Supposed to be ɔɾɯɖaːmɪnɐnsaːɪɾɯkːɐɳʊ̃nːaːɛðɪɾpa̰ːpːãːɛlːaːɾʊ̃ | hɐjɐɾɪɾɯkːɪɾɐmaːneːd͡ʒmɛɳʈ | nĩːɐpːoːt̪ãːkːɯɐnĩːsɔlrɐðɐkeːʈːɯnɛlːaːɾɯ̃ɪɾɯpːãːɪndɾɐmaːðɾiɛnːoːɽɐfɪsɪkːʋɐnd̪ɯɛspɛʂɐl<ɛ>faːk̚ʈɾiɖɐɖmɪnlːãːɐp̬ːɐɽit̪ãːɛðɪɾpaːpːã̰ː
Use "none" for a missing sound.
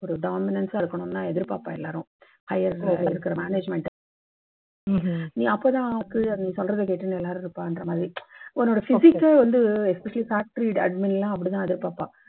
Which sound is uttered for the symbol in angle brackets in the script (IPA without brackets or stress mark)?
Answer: i